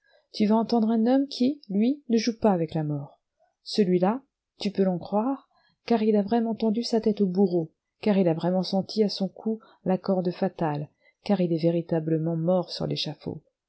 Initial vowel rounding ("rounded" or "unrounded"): rounded